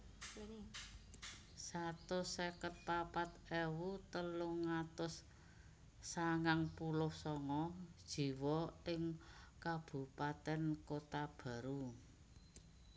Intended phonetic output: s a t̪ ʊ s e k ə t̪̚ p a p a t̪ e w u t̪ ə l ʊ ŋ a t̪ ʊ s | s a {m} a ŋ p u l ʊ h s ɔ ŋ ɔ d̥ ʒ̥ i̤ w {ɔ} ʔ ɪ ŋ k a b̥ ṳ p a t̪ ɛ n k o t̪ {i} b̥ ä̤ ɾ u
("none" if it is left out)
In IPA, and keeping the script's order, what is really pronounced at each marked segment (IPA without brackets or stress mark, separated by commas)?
ŋ, ɔ, a